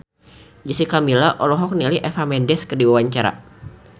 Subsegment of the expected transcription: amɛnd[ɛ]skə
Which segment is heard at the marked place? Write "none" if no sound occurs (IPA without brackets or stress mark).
ɛ